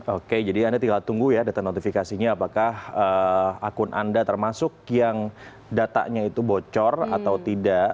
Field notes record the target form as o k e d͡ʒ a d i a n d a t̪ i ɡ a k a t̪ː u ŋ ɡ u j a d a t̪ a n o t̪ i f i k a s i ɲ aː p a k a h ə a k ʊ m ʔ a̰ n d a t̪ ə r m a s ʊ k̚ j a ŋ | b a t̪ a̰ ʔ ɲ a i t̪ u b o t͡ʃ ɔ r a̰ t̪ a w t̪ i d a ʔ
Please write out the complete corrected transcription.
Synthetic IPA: o k e d͡ʒ a d i a n d a t̪ i ɡ a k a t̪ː u ŋ ɡ u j a d a t̪ a n o t̪ i f i k a s i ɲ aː p a k a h ə a k ʊ n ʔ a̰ n d a t̪ ə r m a s ʊ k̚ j a ŋ | d a t̪ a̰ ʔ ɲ a i t̪ u b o t͡ʃ ɔ r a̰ t̪ a w t̪ i d a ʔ